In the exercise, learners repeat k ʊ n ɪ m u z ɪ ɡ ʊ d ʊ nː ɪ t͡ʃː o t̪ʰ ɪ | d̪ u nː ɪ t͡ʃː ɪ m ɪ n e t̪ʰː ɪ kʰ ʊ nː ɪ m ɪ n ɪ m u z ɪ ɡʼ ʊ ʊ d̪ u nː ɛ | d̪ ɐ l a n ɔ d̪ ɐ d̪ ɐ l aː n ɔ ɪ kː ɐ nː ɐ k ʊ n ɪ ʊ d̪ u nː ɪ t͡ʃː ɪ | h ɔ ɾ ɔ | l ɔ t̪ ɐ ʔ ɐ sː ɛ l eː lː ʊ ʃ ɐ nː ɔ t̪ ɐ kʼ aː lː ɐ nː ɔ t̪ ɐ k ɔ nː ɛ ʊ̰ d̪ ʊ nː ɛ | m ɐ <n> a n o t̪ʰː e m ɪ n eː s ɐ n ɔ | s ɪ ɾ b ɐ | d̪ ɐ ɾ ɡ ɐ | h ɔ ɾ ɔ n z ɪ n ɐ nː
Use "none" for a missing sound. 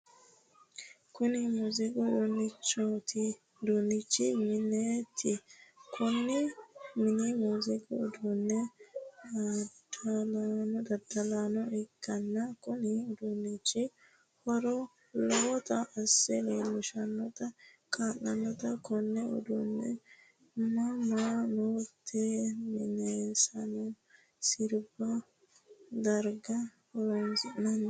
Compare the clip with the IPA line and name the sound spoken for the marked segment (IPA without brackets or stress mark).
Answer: m